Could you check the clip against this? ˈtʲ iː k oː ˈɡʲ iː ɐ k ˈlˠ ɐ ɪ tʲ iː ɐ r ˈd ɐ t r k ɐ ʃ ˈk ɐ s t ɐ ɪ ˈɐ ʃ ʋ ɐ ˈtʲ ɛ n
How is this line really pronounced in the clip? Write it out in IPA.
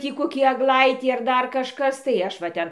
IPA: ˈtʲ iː k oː ˈkʲ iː ɐ ɡ ˈlˠ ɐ ɪ tʲ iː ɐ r ˈd ɐ r k ɐ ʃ ˈk ɐ s t ɐ ɪ ˈɐ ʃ ʋ ɐ ˈtʲ ɛ n

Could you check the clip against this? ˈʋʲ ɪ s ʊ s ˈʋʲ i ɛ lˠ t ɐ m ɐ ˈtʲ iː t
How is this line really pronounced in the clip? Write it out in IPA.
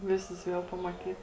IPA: ˈʋʲ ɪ s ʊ s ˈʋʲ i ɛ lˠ p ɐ m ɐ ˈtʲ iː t

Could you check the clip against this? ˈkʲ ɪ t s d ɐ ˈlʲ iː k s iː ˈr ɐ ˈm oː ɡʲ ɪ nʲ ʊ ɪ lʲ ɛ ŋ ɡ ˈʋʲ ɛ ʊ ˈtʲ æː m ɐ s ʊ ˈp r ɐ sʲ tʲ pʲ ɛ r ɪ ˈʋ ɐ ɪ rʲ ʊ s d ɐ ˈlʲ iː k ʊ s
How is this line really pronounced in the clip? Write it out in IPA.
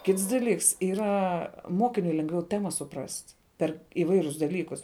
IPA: ˈkʲ ɪ t s d ɐ ˈlʲ iː k s iː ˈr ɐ ˈm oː kʲ ɪ nʲ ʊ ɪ lʲ ɛ ŋ ɡ ˈʋʲ ɛ ʊ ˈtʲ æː m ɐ s ʊ ˈp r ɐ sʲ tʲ pʲ ɛ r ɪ ˈʋ ɐ ɪ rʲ ʊ s d ɐ ˈlʲ iː k ʊ s

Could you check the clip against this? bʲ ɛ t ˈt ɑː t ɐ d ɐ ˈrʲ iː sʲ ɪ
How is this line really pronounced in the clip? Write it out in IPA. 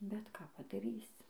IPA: bʲ ɛ t ˈk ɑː p ɐ d ɐ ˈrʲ iː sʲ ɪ

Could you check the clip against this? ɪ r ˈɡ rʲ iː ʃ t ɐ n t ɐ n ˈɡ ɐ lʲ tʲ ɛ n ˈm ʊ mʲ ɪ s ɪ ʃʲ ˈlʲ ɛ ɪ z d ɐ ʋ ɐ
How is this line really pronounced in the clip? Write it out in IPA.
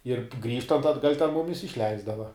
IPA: ɪ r ˈɡ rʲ iː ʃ t ɐ n t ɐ d ˈɡ ɐ lʲ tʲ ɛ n ˈm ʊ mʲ ɪ s ɪ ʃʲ ˈlʲ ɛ ɪ z d ɐ ʋ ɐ

